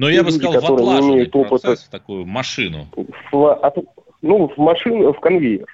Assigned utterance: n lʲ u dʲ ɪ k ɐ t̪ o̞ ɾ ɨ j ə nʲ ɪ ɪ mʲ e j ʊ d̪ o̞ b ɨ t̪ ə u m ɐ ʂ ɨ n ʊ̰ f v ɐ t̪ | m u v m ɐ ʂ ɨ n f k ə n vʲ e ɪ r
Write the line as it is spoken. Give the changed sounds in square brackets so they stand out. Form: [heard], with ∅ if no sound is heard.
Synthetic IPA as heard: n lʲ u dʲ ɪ k ɐ t̪ o̞ ɾ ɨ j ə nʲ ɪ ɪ mʲ e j ʊ [t̪] o̞ [p] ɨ t̪ ə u m ɐ ʂ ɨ n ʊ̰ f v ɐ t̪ | [n] u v m ɐ ʂ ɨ n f k [ɐ] n vʲ e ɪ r